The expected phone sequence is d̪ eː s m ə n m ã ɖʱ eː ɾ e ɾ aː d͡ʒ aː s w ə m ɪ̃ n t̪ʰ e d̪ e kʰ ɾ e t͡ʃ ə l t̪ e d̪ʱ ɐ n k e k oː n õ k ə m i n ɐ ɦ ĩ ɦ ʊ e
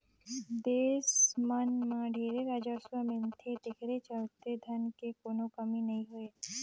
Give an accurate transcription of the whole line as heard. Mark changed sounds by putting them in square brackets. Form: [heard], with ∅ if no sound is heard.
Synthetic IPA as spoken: d̪ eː s m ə n m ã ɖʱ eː ɾ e ɾ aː d͡ʒ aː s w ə m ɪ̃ n t̪ʰ e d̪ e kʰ ɾ e t͡ʃ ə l t̪ e d̪ʱ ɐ n k e k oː n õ k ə m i n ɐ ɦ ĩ ɦ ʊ e